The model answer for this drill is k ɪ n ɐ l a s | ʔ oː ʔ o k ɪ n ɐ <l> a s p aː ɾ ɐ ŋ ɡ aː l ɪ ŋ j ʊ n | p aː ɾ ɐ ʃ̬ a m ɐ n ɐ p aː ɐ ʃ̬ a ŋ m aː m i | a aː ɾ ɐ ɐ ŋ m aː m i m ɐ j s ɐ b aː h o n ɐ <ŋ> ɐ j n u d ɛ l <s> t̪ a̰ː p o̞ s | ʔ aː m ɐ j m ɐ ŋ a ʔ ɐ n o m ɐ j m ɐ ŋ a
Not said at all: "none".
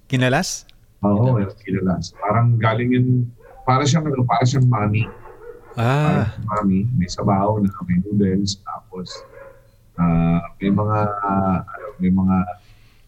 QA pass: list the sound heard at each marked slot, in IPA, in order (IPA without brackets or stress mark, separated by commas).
l, m, s